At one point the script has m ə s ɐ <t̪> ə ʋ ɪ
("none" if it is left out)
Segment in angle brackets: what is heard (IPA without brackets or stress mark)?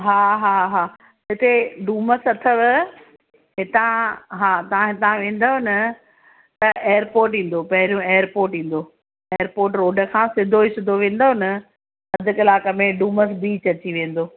t̪ʰ